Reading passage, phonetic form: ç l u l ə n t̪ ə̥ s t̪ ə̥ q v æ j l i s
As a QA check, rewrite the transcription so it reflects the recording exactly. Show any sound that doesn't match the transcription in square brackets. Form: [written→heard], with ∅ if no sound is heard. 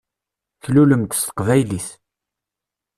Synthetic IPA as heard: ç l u l ə [n→m] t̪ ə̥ s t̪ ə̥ q v æ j l i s